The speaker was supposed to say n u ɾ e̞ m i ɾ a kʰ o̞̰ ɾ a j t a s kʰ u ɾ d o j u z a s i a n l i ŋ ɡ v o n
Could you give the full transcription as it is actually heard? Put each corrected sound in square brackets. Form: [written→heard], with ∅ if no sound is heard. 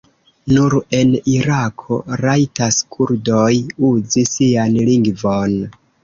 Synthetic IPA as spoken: n u ɾ e̞ [m→n] i ɾ a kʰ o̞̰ ɾ a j t a s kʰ u ɾ d o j u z [a→i] s i a n l i ŋ ɡ v o n